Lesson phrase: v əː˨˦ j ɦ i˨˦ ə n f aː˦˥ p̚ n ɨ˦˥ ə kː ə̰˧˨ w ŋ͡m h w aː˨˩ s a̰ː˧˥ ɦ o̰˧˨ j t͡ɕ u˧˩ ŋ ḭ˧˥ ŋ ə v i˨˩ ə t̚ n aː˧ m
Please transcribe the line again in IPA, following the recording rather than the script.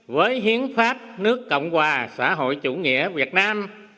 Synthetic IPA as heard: v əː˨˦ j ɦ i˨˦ ə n f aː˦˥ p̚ n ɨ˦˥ ə kː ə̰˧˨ w ŋ͡m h w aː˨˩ s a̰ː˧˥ ɦ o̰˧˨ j t͡ɕ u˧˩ ŋ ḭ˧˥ ə v i˨˩ ə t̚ n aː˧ m